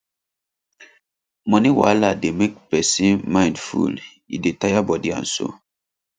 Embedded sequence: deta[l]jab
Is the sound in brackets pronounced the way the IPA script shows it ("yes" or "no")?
no